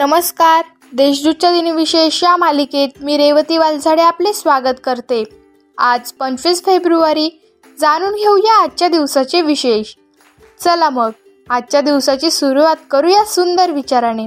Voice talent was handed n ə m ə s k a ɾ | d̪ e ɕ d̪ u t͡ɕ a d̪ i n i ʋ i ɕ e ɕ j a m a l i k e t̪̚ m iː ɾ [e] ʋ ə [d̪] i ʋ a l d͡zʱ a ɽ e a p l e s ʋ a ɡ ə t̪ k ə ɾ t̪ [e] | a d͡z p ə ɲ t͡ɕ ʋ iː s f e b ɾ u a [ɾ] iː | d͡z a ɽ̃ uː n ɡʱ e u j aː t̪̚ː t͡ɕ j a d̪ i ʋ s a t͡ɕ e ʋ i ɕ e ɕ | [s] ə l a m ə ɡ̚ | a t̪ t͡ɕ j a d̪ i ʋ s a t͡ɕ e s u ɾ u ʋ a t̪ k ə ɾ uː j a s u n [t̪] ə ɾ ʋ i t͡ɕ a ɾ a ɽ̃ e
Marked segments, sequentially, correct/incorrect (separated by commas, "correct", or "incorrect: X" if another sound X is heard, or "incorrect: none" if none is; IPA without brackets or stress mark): correct, incorrect: t̪, correct, correct, incorrect: t͡s, incorrect: d̪